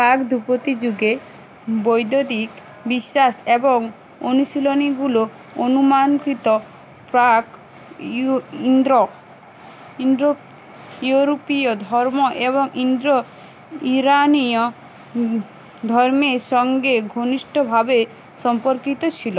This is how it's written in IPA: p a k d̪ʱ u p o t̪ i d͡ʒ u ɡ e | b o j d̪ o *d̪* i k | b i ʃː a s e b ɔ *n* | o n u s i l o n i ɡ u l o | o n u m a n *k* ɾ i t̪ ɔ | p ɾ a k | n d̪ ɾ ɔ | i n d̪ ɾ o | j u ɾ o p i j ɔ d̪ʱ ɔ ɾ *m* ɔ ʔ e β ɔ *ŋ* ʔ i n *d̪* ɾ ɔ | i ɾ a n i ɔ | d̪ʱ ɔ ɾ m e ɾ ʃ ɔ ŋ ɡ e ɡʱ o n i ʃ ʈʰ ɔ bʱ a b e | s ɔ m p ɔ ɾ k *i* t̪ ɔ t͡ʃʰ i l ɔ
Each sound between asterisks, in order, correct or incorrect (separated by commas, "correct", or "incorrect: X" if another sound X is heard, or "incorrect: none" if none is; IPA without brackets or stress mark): correct, incorrect: ŋ, correct, correct, correct, correct, correct